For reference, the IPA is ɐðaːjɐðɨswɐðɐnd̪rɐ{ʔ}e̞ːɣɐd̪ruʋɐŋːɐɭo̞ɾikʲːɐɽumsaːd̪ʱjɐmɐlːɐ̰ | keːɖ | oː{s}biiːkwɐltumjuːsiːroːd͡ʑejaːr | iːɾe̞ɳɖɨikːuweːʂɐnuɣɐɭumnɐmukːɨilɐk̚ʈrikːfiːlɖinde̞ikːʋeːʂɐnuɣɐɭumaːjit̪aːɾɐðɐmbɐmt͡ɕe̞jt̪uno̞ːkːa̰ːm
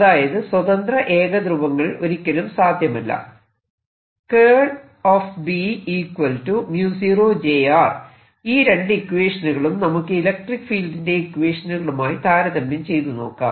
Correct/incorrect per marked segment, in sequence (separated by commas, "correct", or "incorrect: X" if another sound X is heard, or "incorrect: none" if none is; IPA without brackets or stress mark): correct, incorrect: f